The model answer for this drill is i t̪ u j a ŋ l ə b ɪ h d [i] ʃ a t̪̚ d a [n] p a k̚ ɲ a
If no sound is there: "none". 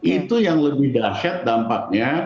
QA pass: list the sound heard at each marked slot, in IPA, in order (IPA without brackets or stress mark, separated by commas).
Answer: a, m